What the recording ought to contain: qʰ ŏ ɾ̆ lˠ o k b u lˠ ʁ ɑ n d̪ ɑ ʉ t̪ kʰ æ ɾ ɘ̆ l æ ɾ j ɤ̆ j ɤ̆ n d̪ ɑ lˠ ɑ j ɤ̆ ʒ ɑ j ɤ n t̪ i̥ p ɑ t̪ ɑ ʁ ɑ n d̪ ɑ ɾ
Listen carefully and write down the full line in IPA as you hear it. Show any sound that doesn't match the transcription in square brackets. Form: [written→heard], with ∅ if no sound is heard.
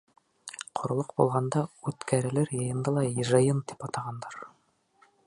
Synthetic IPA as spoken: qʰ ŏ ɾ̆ lˠ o [k→q] b u lˠ ʁ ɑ n d̪ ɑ ʉ t̪ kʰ æ ɾ ɘ̆ l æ ɾ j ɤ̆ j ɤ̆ n d̪ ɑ lˠ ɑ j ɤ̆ ʒ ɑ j ɤ n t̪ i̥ p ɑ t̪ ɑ ʁ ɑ n d̪ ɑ ɾ